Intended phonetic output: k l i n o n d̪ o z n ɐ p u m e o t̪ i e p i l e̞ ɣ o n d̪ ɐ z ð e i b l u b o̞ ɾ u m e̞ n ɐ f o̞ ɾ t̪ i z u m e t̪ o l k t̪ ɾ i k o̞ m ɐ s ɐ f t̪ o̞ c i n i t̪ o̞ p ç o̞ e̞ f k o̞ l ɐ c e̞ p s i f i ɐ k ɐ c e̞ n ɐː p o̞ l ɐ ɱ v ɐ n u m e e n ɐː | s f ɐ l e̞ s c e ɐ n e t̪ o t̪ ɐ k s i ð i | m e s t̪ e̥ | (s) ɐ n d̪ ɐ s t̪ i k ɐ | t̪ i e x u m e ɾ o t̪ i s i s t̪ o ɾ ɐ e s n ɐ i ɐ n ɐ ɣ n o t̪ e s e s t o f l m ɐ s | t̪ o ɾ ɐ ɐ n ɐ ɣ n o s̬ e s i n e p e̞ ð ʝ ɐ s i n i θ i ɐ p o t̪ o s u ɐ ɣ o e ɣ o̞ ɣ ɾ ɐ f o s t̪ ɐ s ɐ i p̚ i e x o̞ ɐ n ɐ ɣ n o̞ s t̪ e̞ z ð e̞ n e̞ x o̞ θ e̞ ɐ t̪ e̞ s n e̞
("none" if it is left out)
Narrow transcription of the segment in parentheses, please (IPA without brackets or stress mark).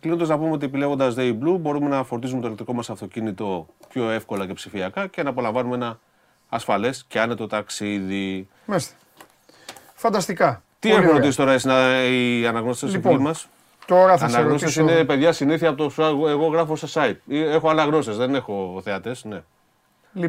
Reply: f